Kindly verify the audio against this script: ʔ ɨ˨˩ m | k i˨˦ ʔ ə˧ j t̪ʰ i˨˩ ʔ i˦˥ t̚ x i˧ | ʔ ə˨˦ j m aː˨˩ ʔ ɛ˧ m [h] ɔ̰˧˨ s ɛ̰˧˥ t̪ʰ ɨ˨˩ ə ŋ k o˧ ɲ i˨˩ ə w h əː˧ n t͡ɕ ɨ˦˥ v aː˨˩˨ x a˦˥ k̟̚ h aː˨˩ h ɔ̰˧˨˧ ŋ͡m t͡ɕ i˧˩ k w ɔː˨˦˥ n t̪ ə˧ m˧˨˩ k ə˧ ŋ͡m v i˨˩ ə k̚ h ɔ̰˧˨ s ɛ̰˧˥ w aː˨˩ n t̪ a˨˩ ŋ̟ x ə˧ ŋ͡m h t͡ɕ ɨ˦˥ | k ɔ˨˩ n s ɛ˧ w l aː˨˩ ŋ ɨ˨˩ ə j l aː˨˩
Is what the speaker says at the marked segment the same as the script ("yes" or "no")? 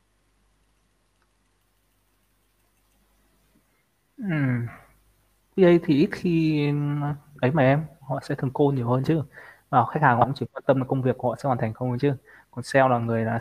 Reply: yes